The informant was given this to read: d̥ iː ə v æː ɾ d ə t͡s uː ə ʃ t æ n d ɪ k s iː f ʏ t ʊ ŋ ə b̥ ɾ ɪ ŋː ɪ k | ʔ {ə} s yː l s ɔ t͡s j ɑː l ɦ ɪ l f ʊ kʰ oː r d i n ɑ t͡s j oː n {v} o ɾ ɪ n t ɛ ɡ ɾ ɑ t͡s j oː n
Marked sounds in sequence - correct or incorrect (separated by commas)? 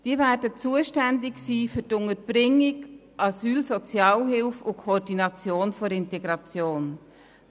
incorrect, incorrect